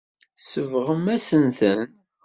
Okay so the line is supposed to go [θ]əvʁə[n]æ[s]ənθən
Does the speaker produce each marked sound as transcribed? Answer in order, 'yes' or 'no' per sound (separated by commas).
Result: no, no, yes